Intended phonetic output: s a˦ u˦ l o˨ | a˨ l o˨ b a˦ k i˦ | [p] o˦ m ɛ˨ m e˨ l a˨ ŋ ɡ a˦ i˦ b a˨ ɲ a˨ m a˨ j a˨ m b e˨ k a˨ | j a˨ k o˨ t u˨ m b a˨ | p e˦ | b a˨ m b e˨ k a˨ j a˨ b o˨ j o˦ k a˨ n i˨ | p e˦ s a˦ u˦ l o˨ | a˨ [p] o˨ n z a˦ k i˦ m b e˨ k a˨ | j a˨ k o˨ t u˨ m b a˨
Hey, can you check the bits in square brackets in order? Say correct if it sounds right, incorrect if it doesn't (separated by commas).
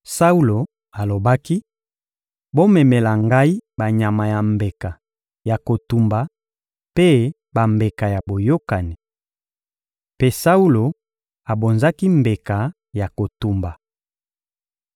incorrect, incorrect